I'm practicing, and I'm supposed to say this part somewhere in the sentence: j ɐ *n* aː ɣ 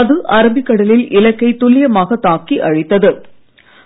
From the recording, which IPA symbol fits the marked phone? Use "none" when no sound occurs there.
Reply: m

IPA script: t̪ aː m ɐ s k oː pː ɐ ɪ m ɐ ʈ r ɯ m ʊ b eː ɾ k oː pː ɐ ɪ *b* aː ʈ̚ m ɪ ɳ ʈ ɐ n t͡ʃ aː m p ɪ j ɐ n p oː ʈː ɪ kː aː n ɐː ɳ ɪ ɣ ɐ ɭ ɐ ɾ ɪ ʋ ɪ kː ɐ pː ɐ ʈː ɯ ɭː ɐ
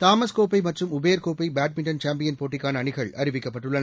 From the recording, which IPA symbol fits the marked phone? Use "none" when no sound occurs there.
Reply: b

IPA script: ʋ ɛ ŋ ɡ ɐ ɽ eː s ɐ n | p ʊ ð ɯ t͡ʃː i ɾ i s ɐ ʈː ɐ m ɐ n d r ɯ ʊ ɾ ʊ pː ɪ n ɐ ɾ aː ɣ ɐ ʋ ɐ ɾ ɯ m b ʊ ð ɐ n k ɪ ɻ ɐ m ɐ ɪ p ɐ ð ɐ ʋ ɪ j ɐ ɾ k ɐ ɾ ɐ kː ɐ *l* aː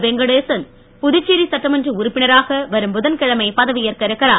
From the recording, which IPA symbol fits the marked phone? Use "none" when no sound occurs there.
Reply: ɾ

